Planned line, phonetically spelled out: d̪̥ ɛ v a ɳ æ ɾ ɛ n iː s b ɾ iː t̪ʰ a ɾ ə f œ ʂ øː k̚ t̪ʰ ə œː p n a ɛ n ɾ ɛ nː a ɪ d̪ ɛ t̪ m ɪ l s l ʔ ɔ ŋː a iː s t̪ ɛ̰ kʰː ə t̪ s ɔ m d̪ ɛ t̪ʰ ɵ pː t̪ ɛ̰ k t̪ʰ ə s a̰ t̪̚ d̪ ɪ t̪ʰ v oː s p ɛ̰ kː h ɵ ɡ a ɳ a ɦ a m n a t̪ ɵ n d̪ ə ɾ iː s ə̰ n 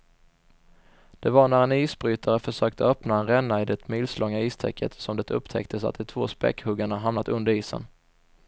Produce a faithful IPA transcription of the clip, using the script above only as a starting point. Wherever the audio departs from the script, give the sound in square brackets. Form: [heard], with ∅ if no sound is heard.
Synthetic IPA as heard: d̪̥ ɛ v a ɳ æ ɾ ɛ n iː s b ɾ [yː] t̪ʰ a ɾ ə f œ ʂ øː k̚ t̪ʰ ə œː p n a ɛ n ɾ ɛ nː a ɪ d̪ ɛ t̪ m ɪ l s l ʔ ɔ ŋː a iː s [t̪ʰ] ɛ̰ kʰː ə t̪ s ɔ m d̪ ɛ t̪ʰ ɵ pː [t̪ʰ] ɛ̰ k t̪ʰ ə s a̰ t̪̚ d̪ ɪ t̪ʰ v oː s p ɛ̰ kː h ɵ ɡ a ɳ a ɦ a m n a t̪ ɵ n d̪ ə ɾ iː s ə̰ n